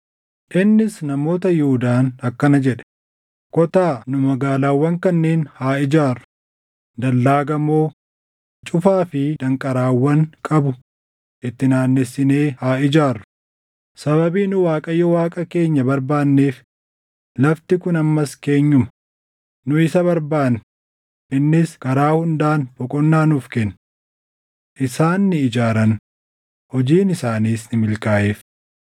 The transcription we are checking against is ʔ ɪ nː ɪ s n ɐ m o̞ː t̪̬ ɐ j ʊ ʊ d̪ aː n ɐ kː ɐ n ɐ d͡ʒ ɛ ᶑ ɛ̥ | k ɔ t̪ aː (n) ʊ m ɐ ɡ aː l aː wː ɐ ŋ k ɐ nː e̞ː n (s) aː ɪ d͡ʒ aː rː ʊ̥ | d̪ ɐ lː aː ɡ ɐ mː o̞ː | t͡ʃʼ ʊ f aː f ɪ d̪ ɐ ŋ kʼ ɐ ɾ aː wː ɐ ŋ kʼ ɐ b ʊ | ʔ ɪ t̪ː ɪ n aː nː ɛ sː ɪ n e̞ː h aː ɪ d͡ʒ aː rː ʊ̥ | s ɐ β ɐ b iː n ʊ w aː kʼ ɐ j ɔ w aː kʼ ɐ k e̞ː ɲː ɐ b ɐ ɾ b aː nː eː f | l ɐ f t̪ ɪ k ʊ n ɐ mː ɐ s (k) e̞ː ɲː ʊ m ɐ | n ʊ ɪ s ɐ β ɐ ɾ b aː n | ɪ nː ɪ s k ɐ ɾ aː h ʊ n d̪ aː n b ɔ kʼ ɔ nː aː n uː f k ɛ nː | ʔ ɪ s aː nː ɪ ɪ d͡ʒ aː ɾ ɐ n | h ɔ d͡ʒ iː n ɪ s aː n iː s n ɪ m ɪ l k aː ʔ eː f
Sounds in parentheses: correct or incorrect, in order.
correct, incorrect, correct

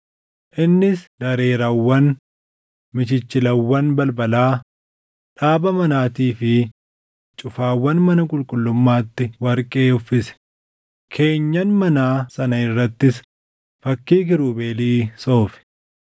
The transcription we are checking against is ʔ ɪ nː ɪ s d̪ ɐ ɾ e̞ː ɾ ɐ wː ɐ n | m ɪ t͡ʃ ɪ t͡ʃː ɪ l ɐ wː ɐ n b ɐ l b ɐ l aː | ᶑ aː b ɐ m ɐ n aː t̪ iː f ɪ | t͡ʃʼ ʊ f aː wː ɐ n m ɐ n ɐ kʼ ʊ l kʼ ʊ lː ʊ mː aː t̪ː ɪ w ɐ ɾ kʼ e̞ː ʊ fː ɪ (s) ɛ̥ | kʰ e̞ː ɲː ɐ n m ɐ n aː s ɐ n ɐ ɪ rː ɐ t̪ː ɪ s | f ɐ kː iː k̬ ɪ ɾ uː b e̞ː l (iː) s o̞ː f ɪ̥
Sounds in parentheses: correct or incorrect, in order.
correct, correct

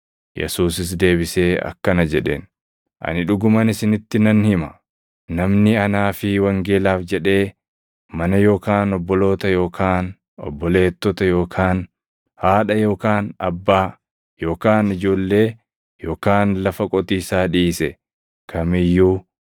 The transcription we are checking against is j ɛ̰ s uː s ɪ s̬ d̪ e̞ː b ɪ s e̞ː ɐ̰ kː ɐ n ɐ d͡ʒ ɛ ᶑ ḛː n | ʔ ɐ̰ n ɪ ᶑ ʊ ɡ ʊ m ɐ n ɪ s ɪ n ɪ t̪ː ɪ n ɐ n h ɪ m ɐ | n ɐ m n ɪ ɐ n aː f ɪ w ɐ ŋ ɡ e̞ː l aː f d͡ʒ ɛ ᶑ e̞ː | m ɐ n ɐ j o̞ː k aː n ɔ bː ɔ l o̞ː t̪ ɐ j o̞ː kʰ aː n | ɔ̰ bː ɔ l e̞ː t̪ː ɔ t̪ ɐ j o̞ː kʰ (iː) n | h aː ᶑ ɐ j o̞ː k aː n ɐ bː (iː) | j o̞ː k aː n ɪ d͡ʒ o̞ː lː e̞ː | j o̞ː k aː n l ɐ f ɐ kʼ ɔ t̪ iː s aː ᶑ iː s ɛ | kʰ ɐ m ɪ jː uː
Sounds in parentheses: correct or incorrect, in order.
incorrect, incorrect

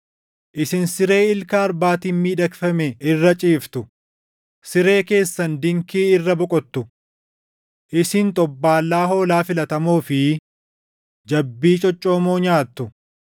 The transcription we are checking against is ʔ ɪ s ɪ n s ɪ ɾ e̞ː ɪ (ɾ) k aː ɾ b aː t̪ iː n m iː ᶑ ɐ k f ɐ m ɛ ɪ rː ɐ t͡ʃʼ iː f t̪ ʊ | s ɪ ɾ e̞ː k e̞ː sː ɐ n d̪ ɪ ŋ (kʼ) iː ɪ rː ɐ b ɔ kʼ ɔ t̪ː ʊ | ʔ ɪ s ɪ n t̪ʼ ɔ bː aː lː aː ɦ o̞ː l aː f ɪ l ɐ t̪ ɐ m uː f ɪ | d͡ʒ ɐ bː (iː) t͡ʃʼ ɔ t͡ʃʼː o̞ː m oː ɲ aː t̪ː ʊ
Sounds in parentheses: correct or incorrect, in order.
incorrect, incorrect, correct

